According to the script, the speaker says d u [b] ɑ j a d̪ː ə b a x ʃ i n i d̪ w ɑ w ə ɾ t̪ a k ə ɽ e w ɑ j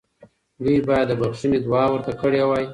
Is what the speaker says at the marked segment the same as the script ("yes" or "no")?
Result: yes